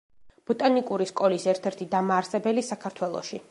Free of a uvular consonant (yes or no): yes